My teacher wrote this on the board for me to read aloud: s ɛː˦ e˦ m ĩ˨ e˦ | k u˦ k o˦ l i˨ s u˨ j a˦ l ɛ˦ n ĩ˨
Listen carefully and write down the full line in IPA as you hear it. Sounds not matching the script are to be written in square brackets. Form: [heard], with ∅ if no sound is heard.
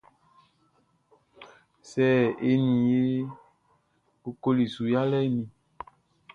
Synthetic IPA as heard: s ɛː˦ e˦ [n] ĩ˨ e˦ | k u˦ k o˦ l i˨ s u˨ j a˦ l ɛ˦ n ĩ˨

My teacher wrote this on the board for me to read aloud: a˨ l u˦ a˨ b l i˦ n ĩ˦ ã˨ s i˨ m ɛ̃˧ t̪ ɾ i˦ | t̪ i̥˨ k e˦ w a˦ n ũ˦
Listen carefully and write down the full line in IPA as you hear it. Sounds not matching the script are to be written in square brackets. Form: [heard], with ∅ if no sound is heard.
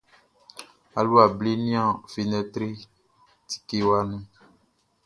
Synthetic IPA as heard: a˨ l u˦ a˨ b l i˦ n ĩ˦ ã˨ [f] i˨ [n] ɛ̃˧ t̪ ɾ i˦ | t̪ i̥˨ k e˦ w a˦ n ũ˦

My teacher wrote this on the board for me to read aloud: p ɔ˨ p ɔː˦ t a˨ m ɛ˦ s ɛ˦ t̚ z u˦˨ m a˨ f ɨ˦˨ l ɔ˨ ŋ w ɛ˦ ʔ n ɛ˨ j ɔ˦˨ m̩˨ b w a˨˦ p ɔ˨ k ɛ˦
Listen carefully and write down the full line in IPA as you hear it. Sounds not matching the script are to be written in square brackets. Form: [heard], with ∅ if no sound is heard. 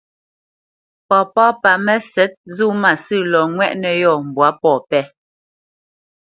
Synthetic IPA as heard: p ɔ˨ p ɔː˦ [p] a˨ m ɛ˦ s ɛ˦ t̚ z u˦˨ m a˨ [s] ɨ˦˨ l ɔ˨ ŋ w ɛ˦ ʔ n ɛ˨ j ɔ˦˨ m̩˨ b w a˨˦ p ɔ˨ [p] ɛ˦

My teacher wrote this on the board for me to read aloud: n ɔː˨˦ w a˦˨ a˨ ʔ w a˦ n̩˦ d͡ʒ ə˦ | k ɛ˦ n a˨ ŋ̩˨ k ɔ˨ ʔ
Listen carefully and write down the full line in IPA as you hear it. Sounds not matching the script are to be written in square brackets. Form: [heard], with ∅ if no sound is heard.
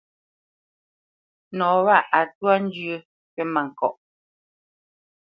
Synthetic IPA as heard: n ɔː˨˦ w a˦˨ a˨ [t] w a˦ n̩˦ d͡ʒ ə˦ | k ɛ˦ [m] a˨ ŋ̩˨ k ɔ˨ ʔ

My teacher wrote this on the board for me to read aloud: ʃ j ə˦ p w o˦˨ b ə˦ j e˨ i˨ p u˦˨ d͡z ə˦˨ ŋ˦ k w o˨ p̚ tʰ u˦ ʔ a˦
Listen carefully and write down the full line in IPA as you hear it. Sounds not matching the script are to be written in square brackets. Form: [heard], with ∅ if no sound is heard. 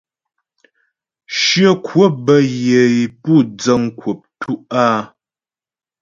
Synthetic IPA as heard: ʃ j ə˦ [k] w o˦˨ b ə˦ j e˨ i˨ p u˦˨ d͡z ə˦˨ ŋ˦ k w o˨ p̚ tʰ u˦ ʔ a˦

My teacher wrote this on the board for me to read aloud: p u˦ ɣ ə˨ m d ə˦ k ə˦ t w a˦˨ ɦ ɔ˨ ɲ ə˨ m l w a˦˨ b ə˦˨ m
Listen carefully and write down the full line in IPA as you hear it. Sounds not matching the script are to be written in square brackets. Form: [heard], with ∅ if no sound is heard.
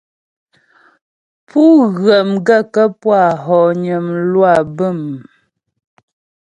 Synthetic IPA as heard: p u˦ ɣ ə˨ m [ɡ] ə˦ k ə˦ [p] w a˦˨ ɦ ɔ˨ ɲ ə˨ m l w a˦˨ b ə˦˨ m

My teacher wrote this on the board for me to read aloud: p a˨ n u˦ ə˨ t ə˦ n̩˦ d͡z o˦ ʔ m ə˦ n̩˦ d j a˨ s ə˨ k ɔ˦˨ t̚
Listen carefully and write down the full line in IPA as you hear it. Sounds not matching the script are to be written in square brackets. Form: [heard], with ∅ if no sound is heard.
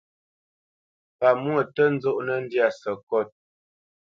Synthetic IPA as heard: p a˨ [m] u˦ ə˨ t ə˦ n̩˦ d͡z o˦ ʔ [n] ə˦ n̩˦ d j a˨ s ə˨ k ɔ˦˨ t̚

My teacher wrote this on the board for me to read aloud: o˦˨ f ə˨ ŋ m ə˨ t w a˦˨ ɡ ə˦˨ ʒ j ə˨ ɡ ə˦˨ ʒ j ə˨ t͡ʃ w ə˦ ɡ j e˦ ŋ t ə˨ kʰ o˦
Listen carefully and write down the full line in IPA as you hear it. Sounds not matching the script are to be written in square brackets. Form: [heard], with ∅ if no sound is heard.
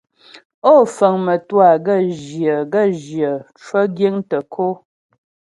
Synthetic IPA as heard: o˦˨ f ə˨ ŋ m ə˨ t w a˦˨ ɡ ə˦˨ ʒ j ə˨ ɡ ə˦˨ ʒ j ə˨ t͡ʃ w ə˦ ɡ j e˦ ŋ t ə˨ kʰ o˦

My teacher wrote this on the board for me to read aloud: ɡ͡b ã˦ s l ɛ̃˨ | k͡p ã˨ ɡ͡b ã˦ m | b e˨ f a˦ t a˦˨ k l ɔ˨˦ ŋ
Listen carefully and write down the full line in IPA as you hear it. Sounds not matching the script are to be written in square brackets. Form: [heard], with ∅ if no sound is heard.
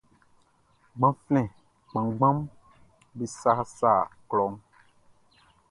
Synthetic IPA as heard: ɡ͡b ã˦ [f] l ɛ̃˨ | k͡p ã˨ ɡ͡b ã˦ m | b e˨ [s] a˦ [s] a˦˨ k l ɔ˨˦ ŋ

